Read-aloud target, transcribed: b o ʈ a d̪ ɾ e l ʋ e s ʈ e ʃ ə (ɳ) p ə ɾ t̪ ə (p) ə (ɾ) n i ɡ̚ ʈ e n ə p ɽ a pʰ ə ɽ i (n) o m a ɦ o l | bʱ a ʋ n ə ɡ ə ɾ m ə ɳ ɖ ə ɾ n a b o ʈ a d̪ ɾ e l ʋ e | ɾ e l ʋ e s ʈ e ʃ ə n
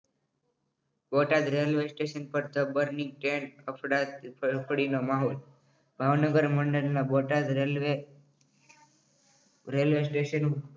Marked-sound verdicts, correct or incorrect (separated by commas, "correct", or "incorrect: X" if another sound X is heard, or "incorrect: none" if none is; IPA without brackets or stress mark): incorrect: n, incorrect: b, correct, correct